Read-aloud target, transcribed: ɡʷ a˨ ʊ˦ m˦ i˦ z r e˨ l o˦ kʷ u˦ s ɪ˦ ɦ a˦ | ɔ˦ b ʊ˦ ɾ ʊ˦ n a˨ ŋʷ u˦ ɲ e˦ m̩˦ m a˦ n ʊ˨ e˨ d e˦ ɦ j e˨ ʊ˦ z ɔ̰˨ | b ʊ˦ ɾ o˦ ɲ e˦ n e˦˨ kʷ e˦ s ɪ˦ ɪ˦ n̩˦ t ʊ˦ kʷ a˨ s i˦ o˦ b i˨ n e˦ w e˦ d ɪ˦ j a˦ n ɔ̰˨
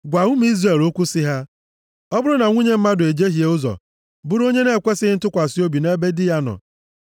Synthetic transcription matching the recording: ɡʷ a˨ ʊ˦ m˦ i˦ z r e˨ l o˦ kʷ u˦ s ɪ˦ ɦ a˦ | ɔ˦ b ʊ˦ ɾ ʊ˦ n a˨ ŋʷ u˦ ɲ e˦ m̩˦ m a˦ d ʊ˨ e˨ d͡ʒ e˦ ɦ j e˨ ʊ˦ z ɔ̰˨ | b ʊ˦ ɾ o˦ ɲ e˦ n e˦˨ kʷ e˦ s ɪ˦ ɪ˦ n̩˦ t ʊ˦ kʷ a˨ s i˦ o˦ b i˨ n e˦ b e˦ d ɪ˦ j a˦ n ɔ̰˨